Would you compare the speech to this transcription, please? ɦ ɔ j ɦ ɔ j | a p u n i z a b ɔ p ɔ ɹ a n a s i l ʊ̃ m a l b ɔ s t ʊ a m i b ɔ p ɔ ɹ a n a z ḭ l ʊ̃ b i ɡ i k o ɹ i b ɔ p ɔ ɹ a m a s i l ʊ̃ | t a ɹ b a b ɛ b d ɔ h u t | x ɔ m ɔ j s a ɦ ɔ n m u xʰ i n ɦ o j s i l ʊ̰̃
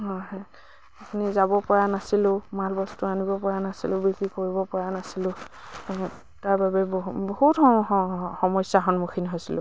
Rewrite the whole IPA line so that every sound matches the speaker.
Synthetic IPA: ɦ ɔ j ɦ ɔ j | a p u n i z a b ɔ p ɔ ɹ a n a s i l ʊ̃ m a l b ɔ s t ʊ a n i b ɔ p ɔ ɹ a n a s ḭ l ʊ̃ b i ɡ i k o ɹ i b ɔ p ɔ ɹ a n a s i l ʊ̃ | t a ɹ b a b ɛ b b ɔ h u t | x ɔ m ɔ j s a ɦ ɔ n m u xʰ i n ɦ o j s i l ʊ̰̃